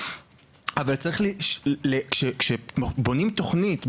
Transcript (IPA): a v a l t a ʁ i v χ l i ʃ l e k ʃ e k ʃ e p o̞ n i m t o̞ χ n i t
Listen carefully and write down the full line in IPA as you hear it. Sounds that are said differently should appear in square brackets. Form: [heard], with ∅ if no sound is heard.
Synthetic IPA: a v a l [t͡s] a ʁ i [∅] χ l i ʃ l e k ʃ e k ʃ e [b] o̞ n i m t o̞ χ n i t